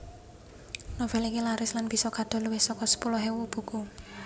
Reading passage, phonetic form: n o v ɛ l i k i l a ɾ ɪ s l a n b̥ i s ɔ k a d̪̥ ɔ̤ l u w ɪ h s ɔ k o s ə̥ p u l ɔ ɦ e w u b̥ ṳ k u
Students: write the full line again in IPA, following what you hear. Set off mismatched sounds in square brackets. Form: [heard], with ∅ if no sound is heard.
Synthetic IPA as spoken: n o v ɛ l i k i l a ɾ ɪ s l a n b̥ i s ɔ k a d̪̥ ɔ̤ l u w ɪ h s ɔ k [ɔ] s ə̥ p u l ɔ ɦ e w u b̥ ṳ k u